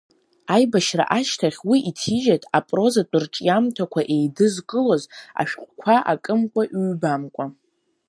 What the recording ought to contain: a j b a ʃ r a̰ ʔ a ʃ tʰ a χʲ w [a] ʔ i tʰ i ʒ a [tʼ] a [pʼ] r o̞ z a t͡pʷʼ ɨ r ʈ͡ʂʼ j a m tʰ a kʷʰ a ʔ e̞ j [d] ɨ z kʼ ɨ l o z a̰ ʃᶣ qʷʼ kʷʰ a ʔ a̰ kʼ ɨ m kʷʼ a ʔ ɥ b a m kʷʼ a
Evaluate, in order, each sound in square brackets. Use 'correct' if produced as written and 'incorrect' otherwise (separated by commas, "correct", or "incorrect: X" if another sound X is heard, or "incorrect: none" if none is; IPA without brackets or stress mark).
incorrect: i, correct, correct, correct